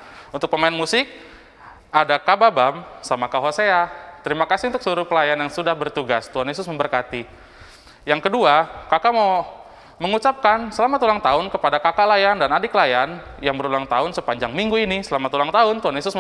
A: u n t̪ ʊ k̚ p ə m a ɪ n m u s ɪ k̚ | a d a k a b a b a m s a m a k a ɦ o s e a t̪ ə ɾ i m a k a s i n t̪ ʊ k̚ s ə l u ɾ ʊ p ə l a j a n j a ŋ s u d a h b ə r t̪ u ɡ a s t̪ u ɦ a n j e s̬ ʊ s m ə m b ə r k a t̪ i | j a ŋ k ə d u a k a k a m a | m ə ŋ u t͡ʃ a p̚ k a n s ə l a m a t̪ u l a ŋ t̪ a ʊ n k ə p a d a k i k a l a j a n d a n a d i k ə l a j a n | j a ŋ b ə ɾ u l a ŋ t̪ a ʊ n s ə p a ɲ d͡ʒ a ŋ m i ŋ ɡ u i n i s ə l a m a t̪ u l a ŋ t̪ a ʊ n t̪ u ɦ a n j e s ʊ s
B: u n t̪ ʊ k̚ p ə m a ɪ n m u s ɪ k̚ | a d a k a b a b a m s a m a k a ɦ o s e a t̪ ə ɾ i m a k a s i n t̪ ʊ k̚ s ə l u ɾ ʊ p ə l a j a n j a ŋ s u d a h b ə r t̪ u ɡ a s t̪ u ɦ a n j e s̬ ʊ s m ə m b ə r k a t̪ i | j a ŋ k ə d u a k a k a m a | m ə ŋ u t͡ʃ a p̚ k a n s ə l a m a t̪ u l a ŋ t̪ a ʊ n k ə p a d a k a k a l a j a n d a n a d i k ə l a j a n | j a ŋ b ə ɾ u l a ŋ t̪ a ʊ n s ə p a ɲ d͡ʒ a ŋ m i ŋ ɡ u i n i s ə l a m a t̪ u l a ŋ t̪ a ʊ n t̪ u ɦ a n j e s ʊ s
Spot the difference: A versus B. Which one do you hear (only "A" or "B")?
B